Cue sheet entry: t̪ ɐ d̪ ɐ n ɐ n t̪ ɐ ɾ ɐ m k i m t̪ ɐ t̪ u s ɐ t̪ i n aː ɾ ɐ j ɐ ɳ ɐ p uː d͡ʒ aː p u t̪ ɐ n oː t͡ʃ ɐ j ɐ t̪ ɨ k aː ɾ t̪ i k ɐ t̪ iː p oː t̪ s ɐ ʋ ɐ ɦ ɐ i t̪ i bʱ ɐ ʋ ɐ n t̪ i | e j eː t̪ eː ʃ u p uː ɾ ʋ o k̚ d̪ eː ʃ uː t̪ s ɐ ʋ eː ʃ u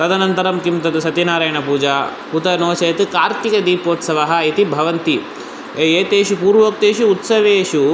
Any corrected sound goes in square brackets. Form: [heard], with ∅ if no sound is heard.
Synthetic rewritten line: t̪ ɐ d̪ ɐ n ɐ n t̪ ɐ ɾ ɐ m k i m t̪ ɐ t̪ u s ɐ t̪ i n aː ɾ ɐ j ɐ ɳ ɐ p uː d͡ʒ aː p u t̪ ɐ n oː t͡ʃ ɐ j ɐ t̪ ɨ k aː ɾ t̪ i k ɐ [d̪] iː p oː t̪ s ɐ ʋ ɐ ɦ ɐ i t̪ i bʱ ɐ ʋ ɐ n t̪ i | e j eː t̪ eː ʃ u p uː ɾ ʋ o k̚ [t̪] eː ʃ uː t̪ s ɐ ʋ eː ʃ u